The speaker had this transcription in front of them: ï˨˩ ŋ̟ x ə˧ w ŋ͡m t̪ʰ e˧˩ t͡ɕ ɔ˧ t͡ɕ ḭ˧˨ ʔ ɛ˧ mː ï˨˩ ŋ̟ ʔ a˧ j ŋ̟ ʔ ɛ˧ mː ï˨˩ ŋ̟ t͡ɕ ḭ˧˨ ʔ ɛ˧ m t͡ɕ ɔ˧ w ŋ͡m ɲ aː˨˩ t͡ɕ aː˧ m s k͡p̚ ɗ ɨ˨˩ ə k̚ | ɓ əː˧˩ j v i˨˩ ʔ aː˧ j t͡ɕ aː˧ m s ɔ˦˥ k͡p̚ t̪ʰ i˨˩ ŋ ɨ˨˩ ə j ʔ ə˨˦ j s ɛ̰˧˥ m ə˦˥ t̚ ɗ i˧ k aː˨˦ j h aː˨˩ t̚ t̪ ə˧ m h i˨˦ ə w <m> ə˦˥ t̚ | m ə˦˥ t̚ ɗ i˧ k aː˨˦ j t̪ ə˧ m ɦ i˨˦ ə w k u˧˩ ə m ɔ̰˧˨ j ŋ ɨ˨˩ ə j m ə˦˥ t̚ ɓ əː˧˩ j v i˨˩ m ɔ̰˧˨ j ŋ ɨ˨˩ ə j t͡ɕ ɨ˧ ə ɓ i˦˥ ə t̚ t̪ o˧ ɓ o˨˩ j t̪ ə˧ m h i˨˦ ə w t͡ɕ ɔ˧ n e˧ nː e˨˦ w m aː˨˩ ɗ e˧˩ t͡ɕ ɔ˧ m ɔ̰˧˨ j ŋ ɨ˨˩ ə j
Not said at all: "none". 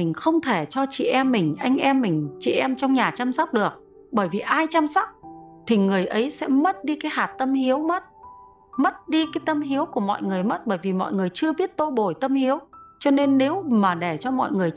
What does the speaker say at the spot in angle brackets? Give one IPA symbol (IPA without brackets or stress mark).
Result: m